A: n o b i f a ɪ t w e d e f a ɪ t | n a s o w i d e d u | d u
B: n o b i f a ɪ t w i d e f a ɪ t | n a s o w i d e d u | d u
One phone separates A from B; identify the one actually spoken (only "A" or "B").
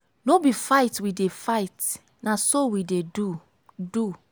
B